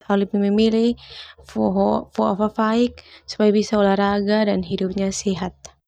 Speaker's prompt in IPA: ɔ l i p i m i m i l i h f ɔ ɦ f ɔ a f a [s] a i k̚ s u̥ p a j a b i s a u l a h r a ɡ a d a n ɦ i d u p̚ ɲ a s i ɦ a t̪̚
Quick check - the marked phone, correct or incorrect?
incorrect